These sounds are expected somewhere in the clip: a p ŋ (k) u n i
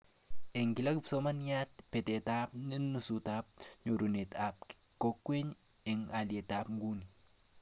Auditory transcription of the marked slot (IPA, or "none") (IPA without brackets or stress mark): ɡ